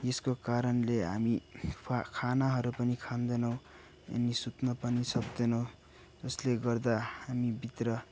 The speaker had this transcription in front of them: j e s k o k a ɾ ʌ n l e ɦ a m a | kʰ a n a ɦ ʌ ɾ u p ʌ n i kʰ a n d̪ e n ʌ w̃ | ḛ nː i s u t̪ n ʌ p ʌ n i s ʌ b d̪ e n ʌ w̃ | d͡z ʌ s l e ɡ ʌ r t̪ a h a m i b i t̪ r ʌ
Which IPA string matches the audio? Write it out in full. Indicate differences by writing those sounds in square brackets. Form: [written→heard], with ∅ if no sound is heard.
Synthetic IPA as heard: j e s k o k a ɾ ʌ n l e ɦ a m [a→i] | kʰ a n a ɦ ʌ ɾ u p ʌ n i kʰ a n d̪ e n ʌ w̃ | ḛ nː i s u t̪ n ʌ p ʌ n i s ʌ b d̪ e n ʌ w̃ | d͡z ʌ s l e ɡ ʌ r [t̪→d̪] a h a m i b i t̪ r ʌ